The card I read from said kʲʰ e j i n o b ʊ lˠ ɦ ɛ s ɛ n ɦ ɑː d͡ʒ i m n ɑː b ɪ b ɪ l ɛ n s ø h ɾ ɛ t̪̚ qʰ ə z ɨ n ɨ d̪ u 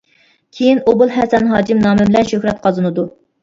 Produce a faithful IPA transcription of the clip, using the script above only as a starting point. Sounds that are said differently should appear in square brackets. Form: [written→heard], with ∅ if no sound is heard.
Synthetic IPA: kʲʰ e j i n o b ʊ lˠ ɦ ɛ s ɛ n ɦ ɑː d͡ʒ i m n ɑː [b→m] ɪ b ɪ l ɛ n [s→ʃ] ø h ɾ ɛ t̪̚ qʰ [ə→ɑ] z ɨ n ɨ d̪ u